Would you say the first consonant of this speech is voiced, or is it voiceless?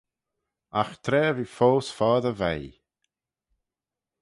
voiceless